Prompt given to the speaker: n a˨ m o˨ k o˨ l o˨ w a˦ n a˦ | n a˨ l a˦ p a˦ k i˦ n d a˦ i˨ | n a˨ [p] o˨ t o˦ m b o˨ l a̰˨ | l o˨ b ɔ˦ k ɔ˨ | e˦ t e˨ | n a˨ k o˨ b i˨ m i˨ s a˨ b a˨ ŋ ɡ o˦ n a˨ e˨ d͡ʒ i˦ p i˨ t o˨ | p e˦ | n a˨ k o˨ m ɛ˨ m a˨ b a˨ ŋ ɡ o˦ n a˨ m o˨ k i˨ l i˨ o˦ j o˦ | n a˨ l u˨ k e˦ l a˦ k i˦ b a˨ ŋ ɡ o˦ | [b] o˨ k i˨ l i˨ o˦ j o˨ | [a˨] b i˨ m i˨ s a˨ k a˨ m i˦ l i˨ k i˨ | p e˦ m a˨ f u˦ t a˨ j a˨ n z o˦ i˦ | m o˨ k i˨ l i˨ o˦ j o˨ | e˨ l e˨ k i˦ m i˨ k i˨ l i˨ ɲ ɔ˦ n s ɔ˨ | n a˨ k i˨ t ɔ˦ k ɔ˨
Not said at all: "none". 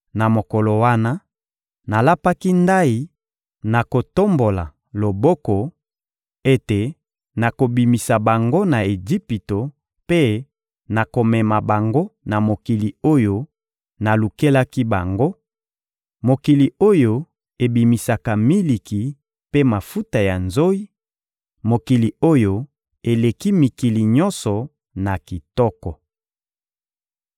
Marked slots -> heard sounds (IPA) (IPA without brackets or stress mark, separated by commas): k, m, e˨